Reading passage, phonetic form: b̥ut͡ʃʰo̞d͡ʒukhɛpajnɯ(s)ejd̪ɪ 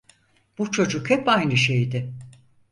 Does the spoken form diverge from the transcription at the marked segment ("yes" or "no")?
yes